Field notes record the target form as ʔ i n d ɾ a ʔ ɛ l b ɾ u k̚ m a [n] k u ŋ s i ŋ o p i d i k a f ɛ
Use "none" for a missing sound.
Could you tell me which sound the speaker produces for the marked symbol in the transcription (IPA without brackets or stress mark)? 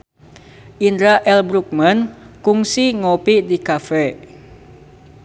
n